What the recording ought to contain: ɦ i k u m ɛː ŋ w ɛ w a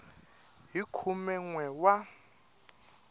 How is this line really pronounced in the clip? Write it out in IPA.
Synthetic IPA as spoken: ɦ i kʰ u m ɛ ŋ w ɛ w a

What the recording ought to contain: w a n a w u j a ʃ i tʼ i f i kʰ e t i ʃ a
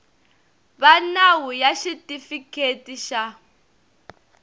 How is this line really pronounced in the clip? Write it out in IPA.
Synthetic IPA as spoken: β a n a w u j a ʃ i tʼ i f i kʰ e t i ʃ a

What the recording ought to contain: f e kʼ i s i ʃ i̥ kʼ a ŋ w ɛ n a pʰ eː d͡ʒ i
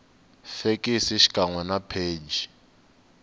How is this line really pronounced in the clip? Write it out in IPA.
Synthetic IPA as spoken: f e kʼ i s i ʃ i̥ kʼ a ŋ w ɛ n a pʰ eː d͡ʒ i

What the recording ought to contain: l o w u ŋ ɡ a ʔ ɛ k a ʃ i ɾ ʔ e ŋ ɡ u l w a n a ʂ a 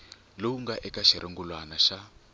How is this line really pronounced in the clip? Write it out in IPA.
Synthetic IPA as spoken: l o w u ŋ ɡ a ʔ ɛ k a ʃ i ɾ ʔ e ŋ ɡ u l w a n a ʃ a

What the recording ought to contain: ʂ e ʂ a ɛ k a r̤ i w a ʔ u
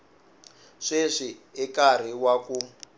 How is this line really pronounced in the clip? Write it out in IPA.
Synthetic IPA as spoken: ʂ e ʂ i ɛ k a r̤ i w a k u

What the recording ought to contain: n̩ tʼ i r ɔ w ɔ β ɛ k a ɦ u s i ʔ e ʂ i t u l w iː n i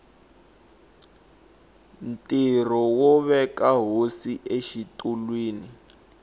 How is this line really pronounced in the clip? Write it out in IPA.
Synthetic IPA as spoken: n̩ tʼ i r ɔ w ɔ β ɛ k a ɦ o s i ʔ e ʃ i t u l w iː n i

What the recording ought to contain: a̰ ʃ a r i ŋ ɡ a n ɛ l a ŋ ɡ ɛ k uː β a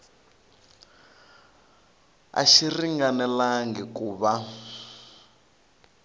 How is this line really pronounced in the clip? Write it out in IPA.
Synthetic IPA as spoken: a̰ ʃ i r i ŋ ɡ a n ɛ l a ŋ ɡ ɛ k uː β a

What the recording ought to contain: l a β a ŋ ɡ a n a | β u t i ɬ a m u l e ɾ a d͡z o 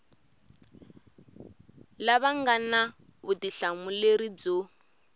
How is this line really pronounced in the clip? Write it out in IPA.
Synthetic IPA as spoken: l a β a ŋ ɡ a n a | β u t i ɬ a m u l e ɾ i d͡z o

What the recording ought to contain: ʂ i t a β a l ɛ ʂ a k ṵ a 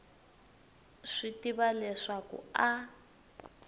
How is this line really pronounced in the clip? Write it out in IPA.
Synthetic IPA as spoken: ʂ i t i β a l ɛ ʂ a k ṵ a

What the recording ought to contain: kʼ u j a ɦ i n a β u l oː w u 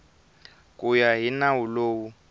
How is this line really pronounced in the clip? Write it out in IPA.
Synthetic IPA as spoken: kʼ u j a ɦ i n a w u l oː w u

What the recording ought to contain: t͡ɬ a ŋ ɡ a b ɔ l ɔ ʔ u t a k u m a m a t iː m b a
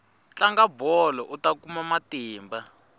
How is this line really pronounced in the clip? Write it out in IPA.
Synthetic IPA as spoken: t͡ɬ a ŋ ɡ a b ɔ l ɔ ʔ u t a k u m a m a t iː m b a

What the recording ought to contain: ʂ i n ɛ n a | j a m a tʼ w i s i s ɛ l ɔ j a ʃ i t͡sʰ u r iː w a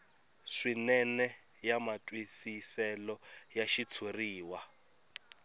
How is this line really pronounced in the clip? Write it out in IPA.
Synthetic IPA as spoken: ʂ i n ɛ n ɛ | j a m a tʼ w i s i s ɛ l ɔ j a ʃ i t͡sʰ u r iː w a

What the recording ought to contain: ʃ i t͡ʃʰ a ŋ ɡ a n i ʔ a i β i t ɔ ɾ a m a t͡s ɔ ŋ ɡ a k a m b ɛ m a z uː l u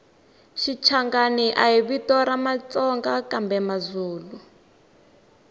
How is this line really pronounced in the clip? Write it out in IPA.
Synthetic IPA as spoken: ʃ i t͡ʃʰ a ŋ ɡ a n i ʔ a i β i t ɔ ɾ a m a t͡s ɔ ŋ ɡ a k a m b ɛ m a z uː l u

